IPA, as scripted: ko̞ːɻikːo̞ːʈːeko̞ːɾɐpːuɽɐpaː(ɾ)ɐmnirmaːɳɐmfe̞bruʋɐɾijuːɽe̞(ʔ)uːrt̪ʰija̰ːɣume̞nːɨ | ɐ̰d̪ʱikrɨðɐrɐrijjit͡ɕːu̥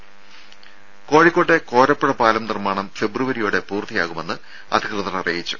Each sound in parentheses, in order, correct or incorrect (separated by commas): incorrect, incorrect